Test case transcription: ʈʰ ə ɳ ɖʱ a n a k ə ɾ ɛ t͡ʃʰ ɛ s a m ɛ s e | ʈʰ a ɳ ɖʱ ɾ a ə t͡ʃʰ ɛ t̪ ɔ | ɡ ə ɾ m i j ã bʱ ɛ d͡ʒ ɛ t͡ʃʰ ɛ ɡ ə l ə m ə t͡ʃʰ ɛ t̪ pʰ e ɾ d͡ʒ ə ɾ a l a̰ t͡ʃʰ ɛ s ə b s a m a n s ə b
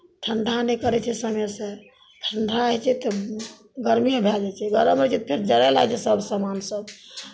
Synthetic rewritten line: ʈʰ ə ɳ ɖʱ a n e k ə ɾ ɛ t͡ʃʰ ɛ s ə m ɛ s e | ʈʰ ə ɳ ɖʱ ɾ a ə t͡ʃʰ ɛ t̪ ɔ | ɡ ə ɾ m i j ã bʱ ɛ d͡ʒ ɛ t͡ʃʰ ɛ ɡ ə ɾ ə m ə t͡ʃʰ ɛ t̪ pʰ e ɾ d͡ʒ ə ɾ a l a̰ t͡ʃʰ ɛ s ə b s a m a n s ə b